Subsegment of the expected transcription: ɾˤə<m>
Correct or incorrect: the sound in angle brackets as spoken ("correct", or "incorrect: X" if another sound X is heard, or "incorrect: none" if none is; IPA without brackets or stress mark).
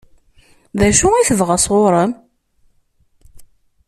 correct